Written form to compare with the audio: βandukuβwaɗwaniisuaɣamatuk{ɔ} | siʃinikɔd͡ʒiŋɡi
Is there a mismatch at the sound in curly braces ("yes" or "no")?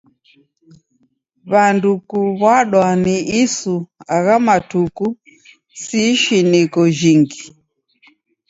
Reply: yes